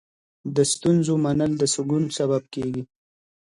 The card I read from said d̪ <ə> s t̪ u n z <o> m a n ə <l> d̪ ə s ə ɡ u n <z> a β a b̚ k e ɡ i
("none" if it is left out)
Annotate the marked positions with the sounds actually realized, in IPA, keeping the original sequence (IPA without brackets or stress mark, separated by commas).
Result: ə, o, l, s